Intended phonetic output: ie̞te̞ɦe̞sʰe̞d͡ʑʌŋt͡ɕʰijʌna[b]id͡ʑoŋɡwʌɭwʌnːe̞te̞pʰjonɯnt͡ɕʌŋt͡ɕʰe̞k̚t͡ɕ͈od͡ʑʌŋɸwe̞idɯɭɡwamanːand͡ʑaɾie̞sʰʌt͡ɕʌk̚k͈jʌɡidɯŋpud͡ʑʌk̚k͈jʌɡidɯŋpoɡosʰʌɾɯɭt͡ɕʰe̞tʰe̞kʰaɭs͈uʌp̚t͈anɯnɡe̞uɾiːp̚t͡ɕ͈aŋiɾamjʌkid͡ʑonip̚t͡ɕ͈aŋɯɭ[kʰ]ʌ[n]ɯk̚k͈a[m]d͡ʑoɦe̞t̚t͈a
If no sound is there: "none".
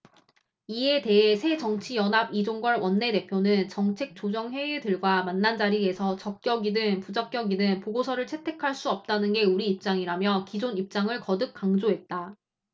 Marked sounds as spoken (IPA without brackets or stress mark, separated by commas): b, k, d, ŋ